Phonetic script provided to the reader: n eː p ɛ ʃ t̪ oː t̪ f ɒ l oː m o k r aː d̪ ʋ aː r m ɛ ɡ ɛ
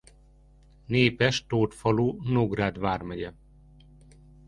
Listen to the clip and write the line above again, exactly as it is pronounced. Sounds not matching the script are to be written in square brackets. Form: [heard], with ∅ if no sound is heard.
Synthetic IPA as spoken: n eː p ɛ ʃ t̪ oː t̪ f ɒ l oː [n] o [ɡ] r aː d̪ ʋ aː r m ɛ [ɟ] ɛ